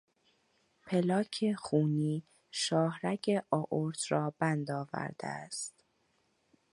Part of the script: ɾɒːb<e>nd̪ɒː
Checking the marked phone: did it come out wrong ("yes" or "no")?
yes